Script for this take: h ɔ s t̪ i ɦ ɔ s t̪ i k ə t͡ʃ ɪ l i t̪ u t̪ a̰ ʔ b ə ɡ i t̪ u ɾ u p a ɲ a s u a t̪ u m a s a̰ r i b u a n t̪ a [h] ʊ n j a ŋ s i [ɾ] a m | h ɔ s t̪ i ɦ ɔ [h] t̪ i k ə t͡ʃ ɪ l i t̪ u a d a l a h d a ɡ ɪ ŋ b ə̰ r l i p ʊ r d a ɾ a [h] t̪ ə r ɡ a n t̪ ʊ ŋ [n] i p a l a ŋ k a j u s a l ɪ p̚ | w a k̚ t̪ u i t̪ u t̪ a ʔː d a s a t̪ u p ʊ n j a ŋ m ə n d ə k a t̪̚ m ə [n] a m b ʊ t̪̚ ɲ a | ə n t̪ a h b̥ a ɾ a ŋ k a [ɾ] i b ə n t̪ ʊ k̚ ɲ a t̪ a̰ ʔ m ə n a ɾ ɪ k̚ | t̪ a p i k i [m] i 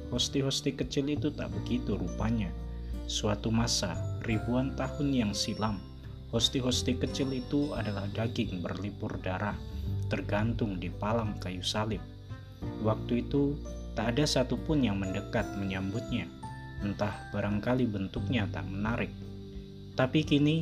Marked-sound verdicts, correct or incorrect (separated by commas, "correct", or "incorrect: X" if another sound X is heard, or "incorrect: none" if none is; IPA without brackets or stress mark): correct, incorrect: l, incorrect: s, correct, incorrect: d, incorrect: ɲ, incorrect: l, incorrect: n